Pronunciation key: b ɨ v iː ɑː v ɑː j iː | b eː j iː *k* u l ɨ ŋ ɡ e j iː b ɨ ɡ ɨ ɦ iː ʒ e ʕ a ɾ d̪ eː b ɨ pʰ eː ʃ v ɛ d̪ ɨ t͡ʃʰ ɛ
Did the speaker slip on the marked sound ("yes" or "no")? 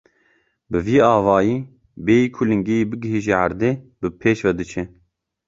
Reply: yes